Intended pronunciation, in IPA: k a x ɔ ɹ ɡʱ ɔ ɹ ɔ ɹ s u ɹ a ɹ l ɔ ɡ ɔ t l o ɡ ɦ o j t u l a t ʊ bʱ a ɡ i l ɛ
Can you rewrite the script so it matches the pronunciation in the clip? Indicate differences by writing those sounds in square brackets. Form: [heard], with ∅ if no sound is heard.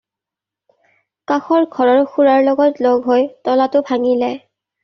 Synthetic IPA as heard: k a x ɔ ɹ ɡʱ ɔ ɹ ɔ ɹ [x] u ɹ a ɹ l ɔ ɡ ɔ t l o ɡ ɦ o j t [ɔ] l a t ʊ bʱ a [ŋ] i l ɛ